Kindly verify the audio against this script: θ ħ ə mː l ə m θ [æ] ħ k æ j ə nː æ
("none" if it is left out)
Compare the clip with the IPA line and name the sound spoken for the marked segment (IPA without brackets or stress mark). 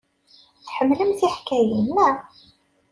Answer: i